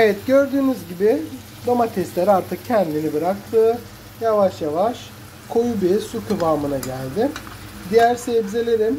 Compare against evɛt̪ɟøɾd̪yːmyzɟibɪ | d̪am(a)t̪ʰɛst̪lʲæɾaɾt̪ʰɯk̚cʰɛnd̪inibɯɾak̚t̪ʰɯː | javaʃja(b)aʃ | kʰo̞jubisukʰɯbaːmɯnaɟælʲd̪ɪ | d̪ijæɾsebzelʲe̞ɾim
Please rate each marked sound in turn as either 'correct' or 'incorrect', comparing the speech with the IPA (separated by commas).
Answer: correct, incorrect